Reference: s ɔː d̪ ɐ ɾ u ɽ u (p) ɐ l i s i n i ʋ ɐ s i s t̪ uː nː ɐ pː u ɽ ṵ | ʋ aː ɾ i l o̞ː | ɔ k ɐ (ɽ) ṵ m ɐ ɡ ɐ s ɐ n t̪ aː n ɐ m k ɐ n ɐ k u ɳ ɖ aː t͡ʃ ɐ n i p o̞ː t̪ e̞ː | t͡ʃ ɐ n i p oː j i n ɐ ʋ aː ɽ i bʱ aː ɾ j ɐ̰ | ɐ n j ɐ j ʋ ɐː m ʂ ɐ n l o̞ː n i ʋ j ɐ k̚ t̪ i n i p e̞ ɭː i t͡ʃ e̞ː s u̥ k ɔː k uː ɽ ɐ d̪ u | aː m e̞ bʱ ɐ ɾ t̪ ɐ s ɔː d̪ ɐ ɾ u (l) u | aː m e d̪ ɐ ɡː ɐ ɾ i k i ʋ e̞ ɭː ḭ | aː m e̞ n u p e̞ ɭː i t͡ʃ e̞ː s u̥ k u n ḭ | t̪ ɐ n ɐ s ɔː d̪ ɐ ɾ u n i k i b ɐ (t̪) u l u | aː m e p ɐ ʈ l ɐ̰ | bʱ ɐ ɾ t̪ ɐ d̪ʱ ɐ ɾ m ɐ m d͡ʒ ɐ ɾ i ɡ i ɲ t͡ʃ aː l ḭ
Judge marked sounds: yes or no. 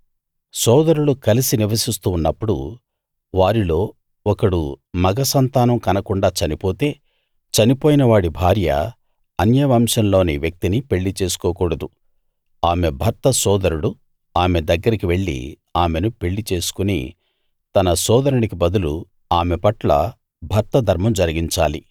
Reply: no, yes, no, no

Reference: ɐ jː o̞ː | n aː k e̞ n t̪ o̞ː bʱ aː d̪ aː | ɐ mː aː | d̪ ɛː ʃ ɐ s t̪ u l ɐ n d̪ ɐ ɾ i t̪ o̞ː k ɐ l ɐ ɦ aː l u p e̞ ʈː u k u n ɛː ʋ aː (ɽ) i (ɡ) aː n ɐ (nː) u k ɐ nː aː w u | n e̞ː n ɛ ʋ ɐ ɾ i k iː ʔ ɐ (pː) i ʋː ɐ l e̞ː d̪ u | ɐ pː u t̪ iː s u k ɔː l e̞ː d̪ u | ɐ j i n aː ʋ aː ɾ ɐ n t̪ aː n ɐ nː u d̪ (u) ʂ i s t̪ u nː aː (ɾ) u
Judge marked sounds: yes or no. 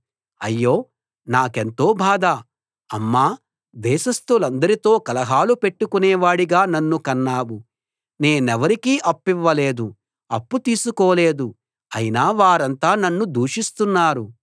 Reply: yes, yes, yes, yes, no, yes

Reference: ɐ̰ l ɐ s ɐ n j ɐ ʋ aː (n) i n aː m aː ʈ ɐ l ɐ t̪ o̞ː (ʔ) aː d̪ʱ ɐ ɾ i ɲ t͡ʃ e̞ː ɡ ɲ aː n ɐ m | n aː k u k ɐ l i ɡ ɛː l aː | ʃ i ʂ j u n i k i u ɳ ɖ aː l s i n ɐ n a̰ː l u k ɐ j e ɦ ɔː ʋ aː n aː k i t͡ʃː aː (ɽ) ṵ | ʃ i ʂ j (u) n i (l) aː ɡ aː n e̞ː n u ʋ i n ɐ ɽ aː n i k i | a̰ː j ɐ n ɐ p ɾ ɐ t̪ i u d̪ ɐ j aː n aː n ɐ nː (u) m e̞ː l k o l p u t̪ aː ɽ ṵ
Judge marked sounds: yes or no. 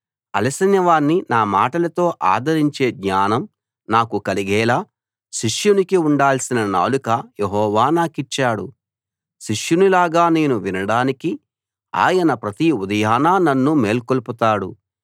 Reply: no, yes, yes, yes, yes, yes

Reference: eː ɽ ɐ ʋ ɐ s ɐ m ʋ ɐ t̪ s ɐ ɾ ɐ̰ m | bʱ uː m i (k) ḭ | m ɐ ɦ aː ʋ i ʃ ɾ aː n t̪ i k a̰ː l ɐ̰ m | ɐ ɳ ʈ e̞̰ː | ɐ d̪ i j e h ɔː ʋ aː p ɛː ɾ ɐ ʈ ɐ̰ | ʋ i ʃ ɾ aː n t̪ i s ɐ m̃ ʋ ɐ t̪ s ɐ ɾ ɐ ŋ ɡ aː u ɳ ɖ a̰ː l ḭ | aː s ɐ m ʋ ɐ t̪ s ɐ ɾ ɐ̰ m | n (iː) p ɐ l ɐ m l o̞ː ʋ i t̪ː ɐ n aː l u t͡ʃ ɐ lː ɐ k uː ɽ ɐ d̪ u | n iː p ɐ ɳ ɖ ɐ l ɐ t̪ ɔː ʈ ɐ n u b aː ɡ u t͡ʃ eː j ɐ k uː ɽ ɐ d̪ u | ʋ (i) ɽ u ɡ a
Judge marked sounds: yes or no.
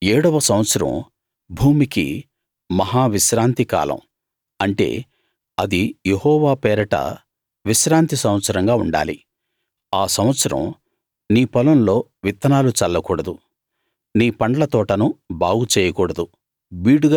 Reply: yes, yes, no

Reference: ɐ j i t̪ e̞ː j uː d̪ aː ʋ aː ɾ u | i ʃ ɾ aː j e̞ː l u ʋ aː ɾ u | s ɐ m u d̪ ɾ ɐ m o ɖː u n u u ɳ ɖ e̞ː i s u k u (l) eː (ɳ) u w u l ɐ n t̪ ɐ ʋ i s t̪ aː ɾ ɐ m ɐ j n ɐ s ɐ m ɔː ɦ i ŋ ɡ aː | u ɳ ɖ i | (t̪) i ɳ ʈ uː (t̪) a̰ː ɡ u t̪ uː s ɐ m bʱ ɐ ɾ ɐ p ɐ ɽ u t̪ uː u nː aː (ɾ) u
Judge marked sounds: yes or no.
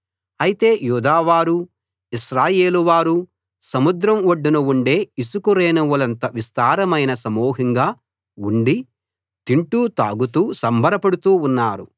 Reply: no, no, yes, yes, yes

